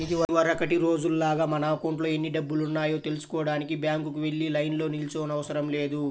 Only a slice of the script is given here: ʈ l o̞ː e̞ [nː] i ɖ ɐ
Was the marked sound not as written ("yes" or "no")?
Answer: no